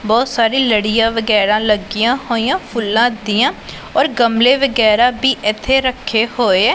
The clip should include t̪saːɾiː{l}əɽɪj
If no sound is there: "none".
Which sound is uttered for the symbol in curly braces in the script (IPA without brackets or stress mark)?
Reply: l